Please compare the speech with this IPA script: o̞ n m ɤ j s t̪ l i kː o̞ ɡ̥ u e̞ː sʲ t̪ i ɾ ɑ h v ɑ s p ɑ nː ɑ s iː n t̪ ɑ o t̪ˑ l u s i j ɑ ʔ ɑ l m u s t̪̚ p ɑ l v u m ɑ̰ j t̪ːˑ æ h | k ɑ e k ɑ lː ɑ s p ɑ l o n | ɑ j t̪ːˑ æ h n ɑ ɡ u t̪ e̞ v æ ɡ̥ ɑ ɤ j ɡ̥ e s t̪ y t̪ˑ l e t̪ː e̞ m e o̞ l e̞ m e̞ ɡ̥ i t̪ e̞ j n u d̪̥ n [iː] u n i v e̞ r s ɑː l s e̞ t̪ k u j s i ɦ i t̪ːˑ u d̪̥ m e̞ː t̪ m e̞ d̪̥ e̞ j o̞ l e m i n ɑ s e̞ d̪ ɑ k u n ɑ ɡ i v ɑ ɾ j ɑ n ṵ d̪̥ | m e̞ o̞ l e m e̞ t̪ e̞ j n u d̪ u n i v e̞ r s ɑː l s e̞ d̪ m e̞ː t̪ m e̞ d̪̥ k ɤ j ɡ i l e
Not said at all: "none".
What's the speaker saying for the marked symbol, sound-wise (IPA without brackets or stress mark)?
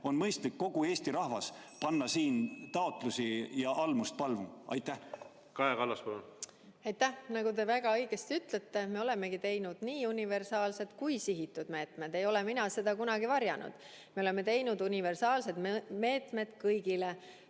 iː